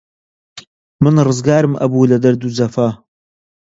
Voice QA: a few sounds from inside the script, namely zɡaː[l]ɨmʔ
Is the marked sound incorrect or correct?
incorrect